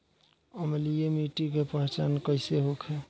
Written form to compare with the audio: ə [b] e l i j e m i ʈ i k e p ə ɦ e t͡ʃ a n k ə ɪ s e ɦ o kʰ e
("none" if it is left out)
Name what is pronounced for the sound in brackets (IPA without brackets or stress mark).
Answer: m